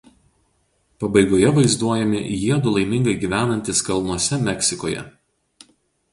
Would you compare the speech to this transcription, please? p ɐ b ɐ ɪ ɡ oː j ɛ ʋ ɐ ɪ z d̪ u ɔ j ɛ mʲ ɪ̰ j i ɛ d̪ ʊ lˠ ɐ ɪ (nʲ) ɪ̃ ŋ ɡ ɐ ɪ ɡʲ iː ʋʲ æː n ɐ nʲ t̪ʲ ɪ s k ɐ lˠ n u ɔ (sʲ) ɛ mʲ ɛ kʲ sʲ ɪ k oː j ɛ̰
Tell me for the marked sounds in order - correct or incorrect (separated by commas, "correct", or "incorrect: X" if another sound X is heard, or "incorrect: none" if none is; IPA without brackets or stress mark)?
incorrect: mʲ, correct